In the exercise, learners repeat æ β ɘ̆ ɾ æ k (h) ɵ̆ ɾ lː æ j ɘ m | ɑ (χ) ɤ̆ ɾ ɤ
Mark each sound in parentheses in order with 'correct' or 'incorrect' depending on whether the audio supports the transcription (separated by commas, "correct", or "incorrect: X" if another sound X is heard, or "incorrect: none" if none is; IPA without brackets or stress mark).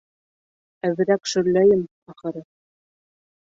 incorrect: ʃ, correct